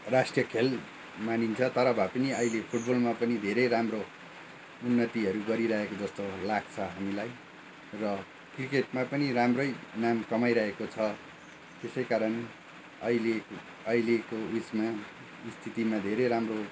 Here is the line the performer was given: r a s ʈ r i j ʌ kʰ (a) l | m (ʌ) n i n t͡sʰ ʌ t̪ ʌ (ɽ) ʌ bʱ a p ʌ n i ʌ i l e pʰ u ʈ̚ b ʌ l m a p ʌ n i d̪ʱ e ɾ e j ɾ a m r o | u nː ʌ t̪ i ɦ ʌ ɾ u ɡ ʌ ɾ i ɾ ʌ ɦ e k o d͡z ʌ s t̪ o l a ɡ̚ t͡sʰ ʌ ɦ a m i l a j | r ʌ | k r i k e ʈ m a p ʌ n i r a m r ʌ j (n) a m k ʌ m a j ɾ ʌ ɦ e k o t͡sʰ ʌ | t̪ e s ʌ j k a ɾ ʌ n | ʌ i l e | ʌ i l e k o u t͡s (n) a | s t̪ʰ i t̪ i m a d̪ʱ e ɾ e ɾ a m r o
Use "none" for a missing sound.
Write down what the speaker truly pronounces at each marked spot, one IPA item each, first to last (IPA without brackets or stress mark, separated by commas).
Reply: e, a, ɾ, n, m